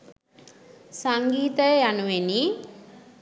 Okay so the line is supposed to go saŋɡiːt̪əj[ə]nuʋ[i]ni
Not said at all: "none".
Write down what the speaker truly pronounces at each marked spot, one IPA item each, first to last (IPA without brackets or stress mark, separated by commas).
a, e